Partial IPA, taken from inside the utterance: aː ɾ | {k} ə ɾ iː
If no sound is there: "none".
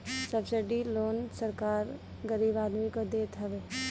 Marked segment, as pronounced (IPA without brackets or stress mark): ɡ